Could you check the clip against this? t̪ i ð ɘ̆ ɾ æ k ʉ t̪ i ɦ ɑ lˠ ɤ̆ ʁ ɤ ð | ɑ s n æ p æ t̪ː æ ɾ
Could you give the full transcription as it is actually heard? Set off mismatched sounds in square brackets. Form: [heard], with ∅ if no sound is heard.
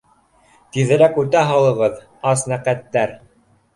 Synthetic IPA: t̪ i ð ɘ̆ ɾ æ k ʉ t̪ [æ] ɦ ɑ lˠ ɤ̆ ʁ ɤ ð | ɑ s n æ [q] æ t̪ː æ ɾ